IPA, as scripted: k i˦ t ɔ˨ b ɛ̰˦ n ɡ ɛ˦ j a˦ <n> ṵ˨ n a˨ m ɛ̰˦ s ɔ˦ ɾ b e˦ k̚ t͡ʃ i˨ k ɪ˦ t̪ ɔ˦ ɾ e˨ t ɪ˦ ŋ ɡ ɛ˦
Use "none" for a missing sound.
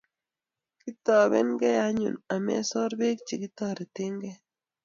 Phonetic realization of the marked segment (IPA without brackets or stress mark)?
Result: ɲ